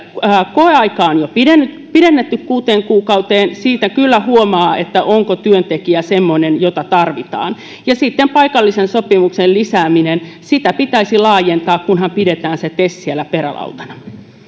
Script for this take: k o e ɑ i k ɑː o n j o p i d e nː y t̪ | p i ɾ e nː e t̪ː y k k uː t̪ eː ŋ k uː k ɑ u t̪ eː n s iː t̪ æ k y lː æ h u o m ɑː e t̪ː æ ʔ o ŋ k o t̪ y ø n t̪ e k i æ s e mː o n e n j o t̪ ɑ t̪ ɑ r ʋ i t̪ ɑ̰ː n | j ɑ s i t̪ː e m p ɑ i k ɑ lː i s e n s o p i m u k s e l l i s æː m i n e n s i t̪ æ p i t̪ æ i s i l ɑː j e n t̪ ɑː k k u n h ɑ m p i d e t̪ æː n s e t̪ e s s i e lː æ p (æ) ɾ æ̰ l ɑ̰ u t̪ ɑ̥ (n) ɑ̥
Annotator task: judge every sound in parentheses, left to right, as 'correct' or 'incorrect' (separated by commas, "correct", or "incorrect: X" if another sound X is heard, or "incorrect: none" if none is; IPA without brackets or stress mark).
incorrect: e, correct